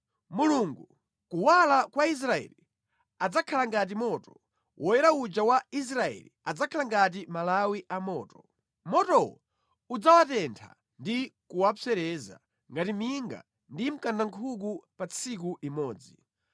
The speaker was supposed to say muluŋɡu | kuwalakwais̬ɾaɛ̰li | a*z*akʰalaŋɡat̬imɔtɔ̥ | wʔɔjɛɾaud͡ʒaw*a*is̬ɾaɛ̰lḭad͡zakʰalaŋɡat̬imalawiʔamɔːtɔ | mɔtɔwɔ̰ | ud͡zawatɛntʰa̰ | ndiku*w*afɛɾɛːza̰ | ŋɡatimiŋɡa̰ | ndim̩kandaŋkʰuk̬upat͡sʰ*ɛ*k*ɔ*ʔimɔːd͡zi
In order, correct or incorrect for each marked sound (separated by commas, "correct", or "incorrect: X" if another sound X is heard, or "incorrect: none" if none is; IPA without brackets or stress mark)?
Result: incorrect: d͡z, correct, correct, incorrect: i, incorrect: u